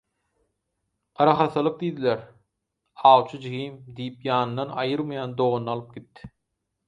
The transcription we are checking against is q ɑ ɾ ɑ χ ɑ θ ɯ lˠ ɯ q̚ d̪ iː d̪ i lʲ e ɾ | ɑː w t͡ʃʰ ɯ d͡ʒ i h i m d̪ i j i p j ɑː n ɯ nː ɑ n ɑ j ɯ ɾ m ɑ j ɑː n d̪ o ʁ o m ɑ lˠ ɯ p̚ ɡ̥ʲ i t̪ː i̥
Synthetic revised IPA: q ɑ ɾ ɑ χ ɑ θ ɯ lˠ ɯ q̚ d̪ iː d̪ i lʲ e ɾ | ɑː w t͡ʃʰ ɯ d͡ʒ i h i m d̪ i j i p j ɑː n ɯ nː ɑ n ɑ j ɯ ɾ m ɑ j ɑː n d̪ o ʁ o n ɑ lˠ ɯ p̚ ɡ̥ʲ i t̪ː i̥